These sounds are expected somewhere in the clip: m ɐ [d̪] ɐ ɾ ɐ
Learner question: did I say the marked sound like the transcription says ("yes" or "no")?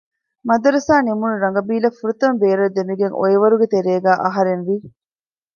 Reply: yes